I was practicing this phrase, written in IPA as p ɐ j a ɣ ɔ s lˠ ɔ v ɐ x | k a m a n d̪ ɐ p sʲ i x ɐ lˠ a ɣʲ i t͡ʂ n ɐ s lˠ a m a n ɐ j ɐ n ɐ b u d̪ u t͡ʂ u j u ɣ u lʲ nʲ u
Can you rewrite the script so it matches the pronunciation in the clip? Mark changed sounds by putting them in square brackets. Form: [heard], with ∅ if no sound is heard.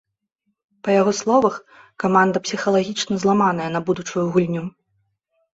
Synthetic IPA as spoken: p ɐ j a ɣ ɔ s lˠ ɔ v ɐ x | k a m a n d̪ ɐ p sʲ i x ɐ lˠ a ɣʲ i t͡ʂ n ɐ [z] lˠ a m a n ɐ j ɐ n ɐ b u d̪ u t͡ʂ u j u ɣ u lʲ nʲ u

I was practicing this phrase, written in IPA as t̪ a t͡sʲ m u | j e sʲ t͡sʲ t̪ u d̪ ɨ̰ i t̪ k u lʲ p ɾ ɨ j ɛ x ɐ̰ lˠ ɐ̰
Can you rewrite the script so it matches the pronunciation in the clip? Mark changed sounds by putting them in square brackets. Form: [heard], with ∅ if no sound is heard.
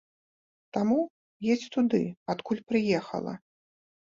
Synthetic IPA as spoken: t̪ a [∅] m u | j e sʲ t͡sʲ t̪ u d̪ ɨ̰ [a] t̪ k u lʲ p ɾ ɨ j ɛ x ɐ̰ lˠ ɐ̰

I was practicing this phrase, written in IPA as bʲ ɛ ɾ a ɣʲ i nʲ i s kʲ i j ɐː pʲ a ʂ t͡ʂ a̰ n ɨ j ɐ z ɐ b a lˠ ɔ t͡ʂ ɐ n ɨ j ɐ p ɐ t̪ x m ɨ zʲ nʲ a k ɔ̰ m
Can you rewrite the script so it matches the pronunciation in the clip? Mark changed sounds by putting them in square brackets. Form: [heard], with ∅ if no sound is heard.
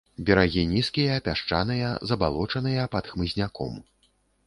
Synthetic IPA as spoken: bʲ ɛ ɾ a ɣʲ i nʲ i s kʲ i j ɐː pʲ a ʂ t͡ʂ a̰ n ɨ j ɐ z ɐ b a lˠ ɔ t͡ʂ ɐ n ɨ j ɐ p ɐ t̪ x m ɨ zʲ nʲ a k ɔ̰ m

